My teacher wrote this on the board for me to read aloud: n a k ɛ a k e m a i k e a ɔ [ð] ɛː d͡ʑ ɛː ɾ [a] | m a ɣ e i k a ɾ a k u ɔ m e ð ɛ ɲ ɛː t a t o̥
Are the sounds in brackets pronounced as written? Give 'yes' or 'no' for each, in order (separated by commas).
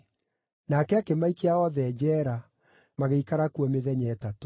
yes, yes